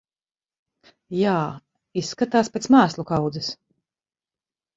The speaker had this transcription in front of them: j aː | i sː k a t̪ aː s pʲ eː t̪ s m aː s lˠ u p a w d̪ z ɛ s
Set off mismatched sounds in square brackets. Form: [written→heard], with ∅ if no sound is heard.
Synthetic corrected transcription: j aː | i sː k a t̪ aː s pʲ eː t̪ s m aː s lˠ u [p→k] a w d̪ z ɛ s